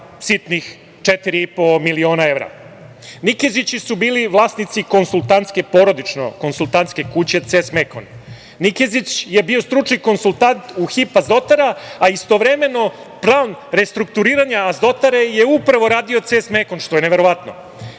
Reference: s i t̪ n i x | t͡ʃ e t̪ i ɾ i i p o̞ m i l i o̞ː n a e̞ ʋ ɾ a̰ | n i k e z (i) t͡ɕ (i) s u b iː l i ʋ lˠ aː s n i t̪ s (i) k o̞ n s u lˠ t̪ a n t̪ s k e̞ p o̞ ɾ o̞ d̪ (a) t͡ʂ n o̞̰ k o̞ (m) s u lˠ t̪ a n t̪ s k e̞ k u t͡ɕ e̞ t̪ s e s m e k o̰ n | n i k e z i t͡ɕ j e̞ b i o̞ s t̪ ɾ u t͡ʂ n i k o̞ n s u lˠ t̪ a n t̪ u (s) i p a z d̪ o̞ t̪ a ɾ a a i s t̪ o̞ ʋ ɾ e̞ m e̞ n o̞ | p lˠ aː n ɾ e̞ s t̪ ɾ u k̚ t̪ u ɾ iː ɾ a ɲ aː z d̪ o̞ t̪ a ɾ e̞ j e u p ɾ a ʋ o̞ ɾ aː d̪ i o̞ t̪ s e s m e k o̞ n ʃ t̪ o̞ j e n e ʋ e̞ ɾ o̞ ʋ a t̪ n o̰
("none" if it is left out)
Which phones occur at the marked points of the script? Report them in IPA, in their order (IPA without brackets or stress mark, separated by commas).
i, i, i, i, n, x